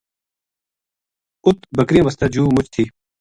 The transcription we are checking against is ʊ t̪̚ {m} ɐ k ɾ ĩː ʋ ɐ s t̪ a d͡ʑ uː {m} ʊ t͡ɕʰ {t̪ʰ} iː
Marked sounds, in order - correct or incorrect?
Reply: incorrect: b, correct, correct

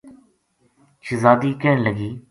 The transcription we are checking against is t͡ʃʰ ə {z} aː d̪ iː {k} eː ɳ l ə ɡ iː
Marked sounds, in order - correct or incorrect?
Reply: correct, correct

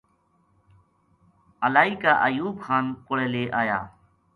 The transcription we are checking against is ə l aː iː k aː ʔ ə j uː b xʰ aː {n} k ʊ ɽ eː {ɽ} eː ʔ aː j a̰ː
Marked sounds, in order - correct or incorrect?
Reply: correct, incorrect: l

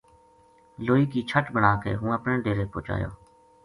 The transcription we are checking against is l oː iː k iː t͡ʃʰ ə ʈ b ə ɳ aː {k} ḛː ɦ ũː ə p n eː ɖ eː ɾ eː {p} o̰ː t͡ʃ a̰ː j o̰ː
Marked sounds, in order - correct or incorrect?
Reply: correct, correct

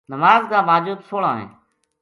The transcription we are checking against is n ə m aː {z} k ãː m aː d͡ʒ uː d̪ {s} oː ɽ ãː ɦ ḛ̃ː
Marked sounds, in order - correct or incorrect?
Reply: correct, correct

